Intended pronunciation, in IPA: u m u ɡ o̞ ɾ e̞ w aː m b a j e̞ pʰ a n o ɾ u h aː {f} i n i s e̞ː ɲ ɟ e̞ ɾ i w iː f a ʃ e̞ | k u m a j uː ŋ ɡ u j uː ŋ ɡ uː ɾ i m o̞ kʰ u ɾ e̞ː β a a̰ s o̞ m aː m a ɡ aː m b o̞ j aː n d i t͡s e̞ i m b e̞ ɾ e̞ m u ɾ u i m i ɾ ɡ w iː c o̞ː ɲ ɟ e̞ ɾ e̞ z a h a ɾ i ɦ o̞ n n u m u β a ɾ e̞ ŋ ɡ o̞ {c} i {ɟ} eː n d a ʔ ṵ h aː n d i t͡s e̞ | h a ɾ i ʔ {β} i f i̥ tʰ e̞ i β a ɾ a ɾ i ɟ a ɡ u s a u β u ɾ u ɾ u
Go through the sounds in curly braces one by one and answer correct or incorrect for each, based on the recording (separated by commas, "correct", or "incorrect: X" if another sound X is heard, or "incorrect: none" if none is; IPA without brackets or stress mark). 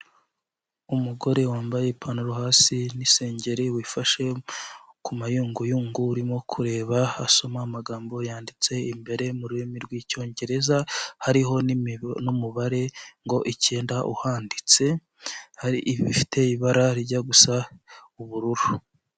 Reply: incorrect: s, incorrect: ʔ, incorrect: c, correct